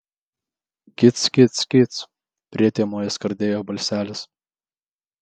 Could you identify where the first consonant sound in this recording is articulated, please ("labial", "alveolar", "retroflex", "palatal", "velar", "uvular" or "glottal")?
velar